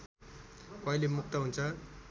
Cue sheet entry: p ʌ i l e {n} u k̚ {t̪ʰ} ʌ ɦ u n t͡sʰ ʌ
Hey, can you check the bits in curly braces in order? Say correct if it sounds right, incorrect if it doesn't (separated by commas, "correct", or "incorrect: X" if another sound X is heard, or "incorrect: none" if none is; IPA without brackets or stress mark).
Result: incorrect: m, incorrect: t̪